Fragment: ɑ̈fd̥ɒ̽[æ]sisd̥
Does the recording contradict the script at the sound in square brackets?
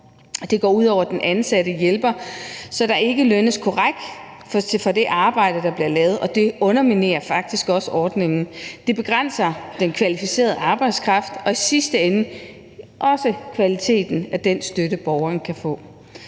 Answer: yes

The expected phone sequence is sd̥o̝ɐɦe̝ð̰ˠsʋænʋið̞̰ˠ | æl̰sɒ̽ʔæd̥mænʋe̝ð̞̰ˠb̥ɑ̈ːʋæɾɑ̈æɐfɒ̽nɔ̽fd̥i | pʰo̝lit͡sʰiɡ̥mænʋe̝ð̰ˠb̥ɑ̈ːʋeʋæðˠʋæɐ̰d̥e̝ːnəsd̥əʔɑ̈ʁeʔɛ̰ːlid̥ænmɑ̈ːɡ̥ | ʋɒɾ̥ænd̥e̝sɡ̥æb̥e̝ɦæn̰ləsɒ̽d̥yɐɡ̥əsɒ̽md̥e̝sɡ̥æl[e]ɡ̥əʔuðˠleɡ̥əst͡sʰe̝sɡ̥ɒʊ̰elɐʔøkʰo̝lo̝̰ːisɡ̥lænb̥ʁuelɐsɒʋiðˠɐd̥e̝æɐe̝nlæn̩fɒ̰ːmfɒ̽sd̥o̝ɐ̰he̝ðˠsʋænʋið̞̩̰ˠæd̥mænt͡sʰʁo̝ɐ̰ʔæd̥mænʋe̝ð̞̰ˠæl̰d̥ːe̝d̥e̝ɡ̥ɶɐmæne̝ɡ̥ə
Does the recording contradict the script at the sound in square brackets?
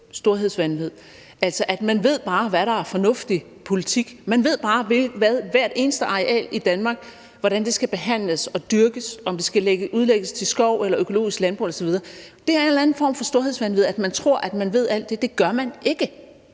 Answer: no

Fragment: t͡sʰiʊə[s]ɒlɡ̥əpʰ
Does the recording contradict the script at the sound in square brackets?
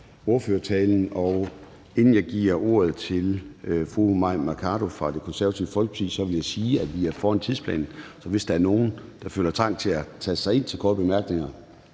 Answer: yes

